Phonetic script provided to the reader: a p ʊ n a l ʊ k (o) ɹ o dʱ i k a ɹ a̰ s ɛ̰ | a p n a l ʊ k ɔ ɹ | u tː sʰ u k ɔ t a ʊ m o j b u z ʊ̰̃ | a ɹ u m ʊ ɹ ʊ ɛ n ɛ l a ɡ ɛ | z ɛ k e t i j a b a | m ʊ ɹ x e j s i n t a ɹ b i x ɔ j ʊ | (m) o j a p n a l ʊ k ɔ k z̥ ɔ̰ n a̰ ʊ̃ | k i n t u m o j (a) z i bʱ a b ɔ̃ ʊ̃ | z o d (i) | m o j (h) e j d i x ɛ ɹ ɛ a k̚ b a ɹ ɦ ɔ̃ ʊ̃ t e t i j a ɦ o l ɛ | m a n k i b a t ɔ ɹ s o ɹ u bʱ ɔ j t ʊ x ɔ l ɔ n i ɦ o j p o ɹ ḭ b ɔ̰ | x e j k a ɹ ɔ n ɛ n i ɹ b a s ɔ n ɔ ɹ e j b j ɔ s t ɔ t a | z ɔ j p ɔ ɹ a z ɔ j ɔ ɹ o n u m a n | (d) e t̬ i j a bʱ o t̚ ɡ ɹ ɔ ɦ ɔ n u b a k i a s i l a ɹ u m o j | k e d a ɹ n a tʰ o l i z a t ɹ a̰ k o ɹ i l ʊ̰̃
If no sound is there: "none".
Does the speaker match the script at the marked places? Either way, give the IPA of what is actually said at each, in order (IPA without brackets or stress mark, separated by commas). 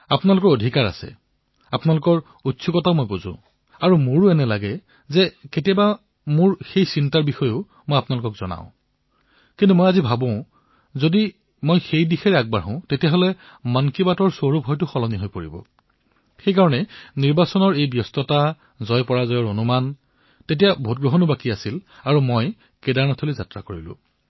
ɔ, m, a, i, x, t